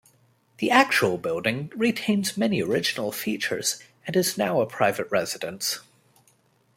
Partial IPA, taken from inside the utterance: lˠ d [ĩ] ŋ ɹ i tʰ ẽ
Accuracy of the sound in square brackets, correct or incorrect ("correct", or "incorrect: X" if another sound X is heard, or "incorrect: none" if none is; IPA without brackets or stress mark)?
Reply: incorrect: ɪ̃